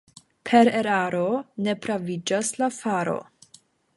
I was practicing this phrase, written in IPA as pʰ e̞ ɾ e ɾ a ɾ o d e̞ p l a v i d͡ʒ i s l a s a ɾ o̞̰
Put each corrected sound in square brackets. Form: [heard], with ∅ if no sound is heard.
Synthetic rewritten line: pʰ e̞ ɾ e ɾ a ɾ o [n] e̞ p [ɾ] a v i d͡ʒ [a] s l a [f] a ɾ o̞̰